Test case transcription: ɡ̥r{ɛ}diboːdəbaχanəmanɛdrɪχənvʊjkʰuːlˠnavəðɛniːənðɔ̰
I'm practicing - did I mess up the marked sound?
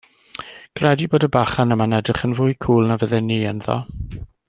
no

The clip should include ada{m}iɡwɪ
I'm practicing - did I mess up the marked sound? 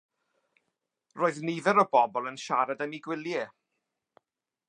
no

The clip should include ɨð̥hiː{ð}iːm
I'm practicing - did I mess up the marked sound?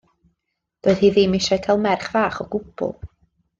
no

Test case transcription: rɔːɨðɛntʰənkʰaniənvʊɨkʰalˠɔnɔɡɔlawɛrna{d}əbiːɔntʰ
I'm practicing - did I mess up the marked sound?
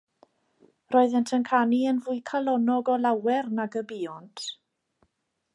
yes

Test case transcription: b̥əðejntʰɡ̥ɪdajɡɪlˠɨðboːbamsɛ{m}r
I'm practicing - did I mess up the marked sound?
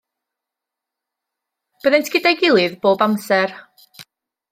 yes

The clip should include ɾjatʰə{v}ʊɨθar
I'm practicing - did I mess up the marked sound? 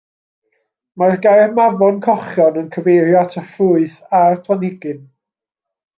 yes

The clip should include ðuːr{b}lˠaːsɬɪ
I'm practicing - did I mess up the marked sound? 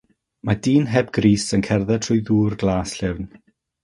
yes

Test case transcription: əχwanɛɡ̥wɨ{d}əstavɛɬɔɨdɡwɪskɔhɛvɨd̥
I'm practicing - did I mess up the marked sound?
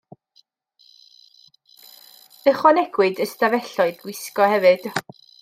no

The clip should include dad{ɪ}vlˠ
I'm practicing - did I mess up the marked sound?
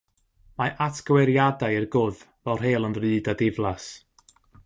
no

